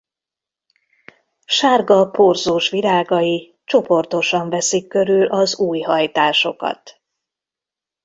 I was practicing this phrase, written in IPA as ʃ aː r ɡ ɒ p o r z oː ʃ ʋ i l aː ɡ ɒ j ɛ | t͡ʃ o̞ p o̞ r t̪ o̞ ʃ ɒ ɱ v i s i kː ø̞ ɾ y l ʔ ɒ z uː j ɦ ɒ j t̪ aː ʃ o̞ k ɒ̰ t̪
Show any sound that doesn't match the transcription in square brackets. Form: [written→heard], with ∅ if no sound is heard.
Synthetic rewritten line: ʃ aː r ɡ ɒ p o r z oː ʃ ʋ i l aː ɡ ɒ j [ɛ→i] | t͡ʃ o̞ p o̞ r t̪ o̞ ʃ ɒ ɱ v [i→ɛ] s i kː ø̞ ɾ y l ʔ ɒ z uː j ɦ ɒ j t̪ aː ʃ o̞ k ɒ̰ t̪